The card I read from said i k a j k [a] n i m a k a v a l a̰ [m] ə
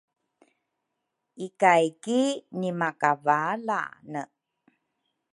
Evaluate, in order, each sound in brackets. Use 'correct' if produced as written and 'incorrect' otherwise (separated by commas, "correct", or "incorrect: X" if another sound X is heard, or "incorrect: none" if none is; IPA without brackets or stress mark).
incorrect: i, incorrect: n